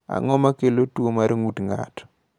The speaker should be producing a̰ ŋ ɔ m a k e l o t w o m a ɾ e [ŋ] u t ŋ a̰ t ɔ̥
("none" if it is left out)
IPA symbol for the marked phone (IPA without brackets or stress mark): ŋ